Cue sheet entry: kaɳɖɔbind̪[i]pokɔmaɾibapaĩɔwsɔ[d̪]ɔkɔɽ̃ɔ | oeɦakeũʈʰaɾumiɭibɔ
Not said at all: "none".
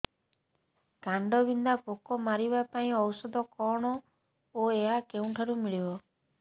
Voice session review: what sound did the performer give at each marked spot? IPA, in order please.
a, d̪

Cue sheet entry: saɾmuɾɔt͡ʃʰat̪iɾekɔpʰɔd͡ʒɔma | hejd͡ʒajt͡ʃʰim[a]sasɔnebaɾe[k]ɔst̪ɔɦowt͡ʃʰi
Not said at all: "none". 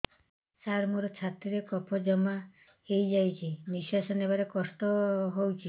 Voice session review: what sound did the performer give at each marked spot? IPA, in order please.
i, k

